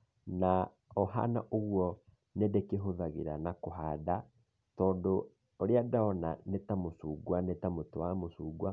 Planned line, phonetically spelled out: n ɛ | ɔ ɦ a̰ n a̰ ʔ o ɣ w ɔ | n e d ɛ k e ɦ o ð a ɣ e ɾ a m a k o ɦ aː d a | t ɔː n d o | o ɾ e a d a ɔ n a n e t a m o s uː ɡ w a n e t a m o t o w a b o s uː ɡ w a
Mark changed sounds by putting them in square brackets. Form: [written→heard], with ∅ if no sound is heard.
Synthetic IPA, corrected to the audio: n [ɛ→a] | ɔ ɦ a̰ n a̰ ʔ o ɣ w ɔ | n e d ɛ k e ɦ o ð a ɣ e ɾ a [m→n] a k o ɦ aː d a | t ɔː n d o | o ɾ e a d a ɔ n a n e t a m o s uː ɡ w a n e t a m o t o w a [b→m] o s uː ɡ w a